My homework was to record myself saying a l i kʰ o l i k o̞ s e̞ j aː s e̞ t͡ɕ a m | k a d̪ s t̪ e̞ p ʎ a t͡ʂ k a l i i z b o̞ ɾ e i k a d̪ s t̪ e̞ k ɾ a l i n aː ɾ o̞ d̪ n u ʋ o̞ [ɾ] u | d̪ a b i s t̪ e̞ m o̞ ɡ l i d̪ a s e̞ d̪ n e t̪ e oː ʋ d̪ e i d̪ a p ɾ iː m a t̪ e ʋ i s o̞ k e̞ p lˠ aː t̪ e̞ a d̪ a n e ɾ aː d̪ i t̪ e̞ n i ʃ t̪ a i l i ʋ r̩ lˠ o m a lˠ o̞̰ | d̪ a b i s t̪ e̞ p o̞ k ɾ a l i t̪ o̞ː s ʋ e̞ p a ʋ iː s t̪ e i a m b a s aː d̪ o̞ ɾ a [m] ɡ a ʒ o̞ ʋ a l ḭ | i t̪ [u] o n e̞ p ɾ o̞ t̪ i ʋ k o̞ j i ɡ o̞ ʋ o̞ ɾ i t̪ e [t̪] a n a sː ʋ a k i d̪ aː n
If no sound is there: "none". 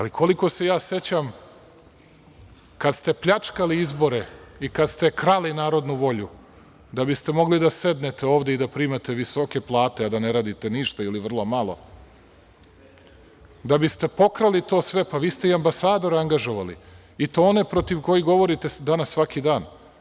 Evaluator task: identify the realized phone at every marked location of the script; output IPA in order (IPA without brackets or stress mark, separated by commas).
ʎ, ŋ, o, d̪